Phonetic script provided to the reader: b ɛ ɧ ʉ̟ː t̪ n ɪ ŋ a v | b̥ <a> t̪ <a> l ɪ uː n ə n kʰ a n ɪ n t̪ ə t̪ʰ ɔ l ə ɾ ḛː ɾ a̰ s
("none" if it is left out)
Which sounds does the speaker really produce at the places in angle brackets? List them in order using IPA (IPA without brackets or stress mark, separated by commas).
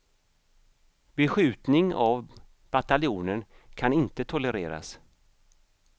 a, a